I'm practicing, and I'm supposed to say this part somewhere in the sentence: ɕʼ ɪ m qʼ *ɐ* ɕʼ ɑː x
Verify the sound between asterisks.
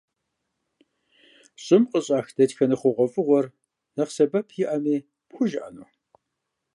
incorrect: ə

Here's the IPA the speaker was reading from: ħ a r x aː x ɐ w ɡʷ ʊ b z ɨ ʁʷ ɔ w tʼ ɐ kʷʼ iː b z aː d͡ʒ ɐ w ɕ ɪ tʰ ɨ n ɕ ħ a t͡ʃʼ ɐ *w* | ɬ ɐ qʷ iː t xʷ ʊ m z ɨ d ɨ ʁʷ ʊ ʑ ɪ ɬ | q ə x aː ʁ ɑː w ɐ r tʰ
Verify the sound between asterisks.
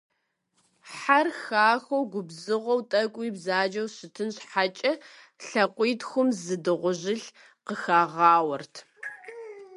incorrect: none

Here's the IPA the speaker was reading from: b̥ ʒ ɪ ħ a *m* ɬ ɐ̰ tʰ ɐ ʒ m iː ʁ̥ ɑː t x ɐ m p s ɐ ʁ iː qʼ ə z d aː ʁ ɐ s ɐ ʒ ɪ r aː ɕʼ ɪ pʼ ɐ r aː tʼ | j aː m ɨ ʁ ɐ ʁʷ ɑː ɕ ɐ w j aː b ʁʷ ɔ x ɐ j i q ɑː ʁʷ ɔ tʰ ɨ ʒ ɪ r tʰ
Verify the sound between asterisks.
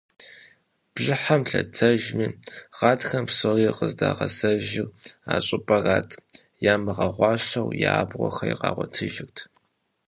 correct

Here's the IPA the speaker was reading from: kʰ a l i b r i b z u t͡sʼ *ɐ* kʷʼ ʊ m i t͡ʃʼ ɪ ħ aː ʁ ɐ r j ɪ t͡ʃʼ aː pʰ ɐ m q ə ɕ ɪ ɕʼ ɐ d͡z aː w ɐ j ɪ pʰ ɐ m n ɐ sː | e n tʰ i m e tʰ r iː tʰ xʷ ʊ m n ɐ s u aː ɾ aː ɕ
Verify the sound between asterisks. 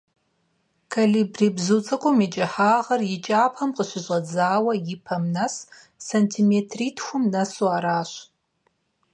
correct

